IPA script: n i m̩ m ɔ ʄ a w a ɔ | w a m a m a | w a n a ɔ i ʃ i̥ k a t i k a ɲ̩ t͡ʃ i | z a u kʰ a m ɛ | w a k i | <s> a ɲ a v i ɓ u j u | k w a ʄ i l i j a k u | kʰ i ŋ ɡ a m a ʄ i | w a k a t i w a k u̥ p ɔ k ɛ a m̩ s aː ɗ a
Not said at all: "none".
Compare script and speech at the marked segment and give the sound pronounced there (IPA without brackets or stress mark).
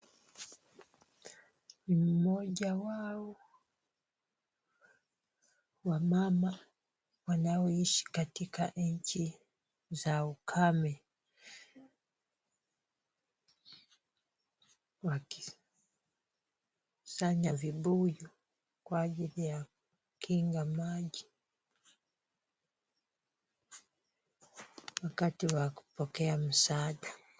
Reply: s